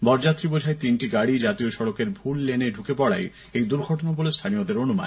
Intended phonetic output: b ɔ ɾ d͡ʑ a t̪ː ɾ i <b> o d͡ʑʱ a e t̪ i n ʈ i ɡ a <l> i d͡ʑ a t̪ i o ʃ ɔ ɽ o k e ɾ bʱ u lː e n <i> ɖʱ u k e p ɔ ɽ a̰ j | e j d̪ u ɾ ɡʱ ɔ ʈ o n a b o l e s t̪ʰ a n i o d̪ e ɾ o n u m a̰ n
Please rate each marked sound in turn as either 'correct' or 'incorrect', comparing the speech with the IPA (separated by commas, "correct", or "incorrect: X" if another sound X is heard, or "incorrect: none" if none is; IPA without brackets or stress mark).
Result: correct, incorrect: ɽ, incorrect: e